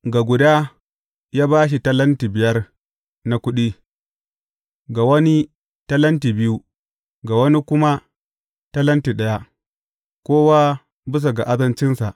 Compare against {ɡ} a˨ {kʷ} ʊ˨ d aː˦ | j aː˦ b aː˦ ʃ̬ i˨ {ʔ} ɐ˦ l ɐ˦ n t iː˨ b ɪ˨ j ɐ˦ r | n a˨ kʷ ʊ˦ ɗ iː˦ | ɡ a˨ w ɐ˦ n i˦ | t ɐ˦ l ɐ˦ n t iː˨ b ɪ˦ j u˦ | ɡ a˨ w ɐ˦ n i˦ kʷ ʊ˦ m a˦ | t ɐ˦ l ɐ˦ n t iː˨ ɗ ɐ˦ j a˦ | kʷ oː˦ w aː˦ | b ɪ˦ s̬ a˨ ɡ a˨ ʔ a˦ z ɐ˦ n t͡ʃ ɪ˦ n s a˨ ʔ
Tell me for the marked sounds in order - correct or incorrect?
correct, incorrect: ɡʷ, incorrect: t

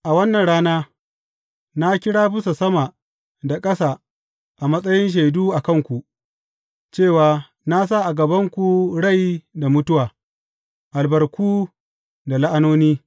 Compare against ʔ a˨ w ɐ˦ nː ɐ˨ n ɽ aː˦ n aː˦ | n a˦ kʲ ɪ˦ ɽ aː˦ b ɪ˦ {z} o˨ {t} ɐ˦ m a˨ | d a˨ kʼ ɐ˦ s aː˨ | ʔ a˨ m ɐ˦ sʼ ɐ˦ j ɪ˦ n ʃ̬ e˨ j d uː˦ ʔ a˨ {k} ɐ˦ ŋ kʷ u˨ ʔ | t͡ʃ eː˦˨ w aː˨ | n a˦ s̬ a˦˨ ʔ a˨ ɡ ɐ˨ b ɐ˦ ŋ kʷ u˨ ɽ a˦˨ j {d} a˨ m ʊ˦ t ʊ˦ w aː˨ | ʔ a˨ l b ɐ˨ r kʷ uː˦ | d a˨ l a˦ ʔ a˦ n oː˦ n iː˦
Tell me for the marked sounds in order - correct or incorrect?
incorrect: s, incorrect: s, correct, correct

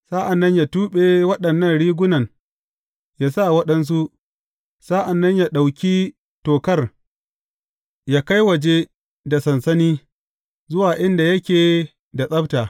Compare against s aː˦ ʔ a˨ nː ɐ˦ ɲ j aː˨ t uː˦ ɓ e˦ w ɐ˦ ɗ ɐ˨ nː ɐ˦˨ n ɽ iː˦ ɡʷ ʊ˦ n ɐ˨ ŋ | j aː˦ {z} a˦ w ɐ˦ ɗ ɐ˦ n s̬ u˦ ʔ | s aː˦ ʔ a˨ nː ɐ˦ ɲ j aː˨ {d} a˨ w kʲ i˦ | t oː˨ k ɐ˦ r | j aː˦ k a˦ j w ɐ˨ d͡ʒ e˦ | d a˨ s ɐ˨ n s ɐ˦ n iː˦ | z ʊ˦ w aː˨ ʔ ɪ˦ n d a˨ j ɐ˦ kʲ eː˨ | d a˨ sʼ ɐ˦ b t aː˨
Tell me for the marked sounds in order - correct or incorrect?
incorrect: s, incorrect: ɗ

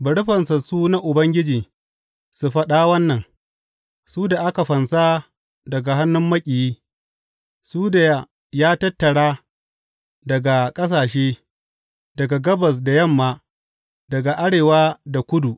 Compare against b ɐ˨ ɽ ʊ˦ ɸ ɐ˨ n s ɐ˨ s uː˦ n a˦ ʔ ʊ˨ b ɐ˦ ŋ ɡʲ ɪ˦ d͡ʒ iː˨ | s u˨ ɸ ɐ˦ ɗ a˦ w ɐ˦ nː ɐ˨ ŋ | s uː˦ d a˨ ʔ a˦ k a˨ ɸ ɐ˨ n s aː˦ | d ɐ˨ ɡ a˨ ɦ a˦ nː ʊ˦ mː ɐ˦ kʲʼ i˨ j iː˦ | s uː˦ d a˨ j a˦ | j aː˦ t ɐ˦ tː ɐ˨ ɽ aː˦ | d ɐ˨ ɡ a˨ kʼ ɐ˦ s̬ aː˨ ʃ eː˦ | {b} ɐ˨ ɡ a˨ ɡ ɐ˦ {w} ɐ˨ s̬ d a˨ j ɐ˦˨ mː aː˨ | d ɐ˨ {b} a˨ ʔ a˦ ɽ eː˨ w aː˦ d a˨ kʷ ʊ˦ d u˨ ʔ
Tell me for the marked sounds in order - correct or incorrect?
incorrect: d, incorrect: b, incorrect: ɡ

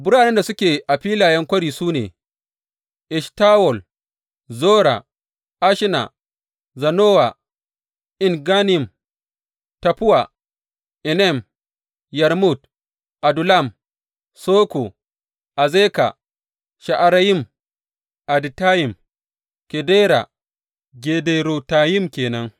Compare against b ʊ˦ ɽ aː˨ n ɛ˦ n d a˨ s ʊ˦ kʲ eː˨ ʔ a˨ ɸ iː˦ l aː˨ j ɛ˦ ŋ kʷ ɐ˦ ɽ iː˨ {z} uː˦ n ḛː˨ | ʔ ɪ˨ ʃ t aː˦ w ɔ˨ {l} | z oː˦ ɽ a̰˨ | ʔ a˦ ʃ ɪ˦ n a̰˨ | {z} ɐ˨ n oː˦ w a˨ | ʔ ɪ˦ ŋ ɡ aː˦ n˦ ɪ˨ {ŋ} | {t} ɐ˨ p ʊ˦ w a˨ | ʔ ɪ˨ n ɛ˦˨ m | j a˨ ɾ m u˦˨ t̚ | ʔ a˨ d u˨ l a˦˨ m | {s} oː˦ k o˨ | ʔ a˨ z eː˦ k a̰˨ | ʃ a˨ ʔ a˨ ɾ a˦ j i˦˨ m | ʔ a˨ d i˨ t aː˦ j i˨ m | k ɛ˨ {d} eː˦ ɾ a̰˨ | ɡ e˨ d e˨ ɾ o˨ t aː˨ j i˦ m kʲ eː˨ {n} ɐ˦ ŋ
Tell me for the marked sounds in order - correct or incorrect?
incorrect: s, correct, correct, incorrect: m, correct, correct, correct, correct

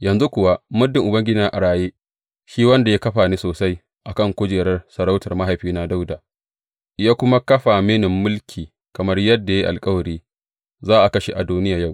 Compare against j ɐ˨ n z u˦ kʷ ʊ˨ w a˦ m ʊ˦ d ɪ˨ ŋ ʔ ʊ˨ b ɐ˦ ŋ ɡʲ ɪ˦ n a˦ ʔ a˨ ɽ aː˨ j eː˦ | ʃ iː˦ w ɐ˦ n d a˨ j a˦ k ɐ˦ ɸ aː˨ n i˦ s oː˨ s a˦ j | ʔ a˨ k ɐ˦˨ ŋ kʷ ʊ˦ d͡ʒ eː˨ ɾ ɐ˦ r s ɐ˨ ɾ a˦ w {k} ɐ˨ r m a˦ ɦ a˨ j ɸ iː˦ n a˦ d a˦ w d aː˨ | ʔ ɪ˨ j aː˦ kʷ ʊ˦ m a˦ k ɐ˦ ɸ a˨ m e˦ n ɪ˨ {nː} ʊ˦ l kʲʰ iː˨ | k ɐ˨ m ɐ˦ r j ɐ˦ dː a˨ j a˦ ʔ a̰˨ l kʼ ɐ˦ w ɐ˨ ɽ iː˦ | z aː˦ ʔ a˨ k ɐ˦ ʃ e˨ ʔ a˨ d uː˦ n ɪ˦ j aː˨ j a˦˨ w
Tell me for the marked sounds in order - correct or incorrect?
incorrect: t, incorrect: mː

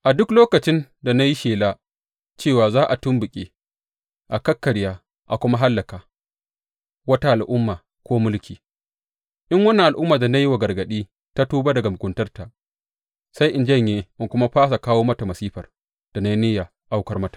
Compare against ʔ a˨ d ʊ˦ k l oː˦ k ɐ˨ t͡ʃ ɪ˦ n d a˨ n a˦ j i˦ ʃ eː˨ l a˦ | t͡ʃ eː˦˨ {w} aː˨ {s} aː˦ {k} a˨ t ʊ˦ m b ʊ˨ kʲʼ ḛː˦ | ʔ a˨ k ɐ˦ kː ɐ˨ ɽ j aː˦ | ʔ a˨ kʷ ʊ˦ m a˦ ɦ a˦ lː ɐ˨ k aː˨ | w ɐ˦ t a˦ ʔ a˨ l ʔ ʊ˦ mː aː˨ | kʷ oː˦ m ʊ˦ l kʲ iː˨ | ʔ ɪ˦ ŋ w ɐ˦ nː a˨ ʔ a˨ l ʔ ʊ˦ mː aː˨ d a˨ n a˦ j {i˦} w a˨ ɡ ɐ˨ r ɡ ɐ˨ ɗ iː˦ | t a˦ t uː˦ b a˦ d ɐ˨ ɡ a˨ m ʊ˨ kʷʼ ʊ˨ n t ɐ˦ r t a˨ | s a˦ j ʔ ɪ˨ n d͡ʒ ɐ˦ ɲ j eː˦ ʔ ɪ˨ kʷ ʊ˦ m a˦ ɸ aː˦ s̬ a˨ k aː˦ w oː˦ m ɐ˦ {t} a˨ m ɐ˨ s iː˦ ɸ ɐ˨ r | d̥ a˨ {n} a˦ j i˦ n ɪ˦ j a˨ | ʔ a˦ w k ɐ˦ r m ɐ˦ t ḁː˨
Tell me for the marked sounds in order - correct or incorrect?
correct, incorrect: z, incorrect: ʔ, correct, correct, correct

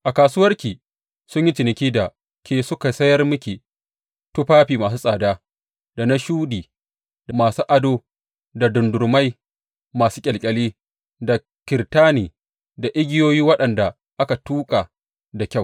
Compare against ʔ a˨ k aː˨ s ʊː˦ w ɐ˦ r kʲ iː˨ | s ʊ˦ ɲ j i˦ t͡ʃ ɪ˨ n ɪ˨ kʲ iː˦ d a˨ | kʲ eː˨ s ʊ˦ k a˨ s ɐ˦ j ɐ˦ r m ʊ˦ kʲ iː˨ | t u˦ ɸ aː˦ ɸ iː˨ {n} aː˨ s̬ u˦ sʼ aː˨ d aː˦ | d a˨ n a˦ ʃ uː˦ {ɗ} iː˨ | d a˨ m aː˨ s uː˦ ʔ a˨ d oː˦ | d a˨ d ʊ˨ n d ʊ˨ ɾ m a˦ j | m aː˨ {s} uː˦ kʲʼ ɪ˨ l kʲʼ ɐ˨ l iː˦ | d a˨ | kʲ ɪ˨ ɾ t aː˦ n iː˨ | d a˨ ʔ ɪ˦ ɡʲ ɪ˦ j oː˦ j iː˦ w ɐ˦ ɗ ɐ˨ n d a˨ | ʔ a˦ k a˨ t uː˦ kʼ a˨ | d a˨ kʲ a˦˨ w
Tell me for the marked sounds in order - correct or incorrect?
incorrect: m, incorrect: d, correct

